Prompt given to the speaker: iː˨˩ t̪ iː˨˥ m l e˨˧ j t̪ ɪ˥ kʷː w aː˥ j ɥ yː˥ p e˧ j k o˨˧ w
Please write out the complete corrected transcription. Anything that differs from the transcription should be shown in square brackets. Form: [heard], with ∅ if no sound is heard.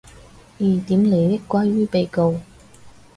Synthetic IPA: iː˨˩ t̪ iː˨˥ m l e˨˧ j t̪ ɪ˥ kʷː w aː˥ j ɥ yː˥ p e˧ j k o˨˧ w